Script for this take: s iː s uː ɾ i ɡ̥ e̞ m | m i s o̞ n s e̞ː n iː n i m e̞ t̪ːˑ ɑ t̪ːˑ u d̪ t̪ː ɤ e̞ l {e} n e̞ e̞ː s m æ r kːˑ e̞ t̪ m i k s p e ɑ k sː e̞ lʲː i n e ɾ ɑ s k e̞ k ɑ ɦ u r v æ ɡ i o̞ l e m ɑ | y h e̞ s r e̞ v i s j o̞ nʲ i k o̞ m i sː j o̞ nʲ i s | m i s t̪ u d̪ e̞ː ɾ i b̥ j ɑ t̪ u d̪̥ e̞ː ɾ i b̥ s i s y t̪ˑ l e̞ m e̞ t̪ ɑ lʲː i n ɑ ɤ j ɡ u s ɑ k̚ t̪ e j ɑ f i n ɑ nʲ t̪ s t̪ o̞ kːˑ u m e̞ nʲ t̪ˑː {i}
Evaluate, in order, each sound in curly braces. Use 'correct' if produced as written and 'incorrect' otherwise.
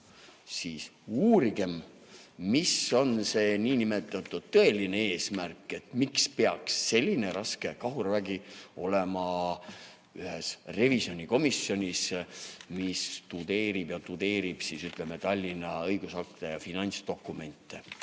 incorrect: i, incorrect: e

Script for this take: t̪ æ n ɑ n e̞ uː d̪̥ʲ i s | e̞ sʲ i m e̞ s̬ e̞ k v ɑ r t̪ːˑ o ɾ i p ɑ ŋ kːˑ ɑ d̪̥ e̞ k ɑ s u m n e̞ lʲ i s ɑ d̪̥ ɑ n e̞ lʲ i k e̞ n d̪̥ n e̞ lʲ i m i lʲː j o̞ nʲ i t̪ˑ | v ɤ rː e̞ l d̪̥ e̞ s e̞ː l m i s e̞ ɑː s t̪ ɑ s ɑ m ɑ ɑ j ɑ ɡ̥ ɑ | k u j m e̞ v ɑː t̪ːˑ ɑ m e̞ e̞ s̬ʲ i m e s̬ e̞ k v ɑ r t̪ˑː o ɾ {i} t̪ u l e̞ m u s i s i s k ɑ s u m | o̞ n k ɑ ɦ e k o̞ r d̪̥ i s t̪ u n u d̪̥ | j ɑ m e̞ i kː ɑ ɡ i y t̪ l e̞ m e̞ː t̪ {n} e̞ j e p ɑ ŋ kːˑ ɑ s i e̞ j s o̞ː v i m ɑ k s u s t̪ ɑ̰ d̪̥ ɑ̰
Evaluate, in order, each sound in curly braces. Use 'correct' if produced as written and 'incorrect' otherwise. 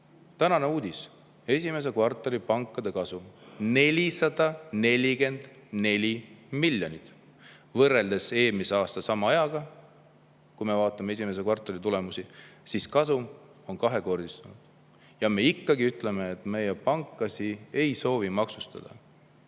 correct, incorrect: m

